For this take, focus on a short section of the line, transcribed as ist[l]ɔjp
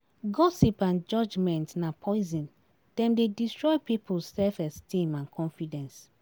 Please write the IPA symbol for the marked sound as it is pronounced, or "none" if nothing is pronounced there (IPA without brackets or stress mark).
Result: ɹ